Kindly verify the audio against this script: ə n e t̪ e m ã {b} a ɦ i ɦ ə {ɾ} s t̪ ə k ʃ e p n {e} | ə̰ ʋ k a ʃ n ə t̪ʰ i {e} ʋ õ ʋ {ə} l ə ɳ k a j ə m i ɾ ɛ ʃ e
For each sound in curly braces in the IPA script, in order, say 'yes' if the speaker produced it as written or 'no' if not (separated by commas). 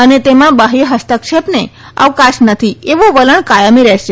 yes, no, yes, yes, yes